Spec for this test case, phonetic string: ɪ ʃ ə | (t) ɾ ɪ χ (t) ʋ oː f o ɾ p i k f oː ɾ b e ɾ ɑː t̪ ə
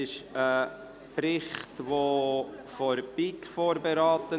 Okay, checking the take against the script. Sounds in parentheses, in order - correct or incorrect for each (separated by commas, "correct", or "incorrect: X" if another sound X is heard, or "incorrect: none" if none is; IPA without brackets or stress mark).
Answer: incorrect: p, correct